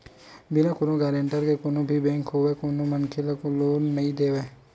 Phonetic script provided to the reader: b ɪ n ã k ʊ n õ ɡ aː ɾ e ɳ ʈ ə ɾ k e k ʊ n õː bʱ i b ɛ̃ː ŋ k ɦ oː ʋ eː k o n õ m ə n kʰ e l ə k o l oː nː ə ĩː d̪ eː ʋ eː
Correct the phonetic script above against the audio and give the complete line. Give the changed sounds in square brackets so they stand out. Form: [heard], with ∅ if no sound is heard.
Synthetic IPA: b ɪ n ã k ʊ n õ ɡ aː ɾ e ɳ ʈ ə ɾ k e k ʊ n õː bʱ i b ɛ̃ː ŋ k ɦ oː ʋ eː k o n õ m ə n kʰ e l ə k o l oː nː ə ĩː d̪ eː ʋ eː